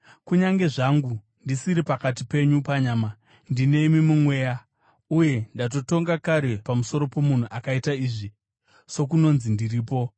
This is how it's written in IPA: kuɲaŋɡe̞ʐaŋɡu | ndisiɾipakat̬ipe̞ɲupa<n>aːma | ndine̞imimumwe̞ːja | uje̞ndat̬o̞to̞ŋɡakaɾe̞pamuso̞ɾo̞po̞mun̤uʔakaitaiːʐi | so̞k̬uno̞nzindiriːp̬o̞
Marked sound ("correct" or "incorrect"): incorrect